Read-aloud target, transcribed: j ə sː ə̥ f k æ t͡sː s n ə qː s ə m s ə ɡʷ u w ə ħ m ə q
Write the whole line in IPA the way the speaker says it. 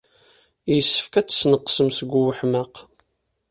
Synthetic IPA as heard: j ə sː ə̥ f k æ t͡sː s n ə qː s ə m s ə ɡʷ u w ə ħ m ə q